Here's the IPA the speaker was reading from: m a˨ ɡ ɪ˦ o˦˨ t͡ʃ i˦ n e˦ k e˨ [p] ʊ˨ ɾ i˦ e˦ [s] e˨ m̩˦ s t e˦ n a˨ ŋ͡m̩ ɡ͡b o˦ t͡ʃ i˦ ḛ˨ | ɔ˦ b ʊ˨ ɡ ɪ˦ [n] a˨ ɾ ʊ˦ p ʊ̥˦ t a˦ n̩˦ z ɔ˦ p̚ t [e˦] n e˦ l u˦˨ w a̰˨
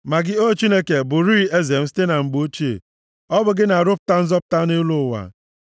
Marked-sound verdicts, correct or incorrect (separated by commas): incorrect, incorrect, correct, incorrect